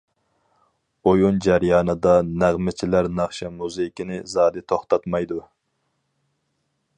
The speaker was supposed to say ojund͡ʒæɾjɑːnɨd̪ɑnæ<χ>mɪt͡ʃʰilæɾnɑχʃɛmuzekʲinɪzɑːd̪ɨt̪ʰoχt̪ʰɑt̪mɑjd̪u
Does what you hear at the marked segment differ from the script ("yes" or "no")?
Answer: yes